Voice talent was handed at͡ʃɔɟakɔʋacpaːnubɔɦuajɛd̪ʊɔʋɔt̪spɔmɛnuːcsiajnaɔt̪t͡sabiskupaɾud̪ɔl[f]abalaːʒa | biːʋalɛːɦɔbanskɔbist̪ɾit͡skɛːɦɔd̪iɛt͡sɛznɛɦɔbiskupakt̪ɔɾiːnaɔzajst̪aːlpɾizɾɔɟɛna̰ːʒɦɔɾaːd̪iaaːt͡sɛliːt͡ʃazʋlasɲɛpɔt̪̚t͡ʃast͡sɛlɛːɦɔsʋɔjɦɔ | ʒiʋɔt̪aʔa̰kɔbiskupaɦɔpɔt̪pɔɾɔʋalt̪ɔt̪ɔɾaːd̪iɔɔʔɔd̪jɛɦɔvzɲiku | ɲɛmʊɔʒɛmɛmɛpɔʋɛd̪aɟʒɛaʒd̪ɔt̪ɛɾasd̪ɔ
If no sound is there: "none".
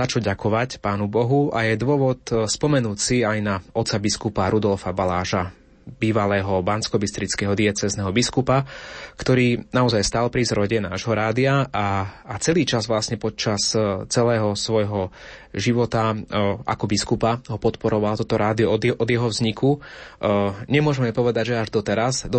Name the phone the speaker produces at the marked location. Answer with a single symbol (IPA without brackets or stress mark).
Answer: f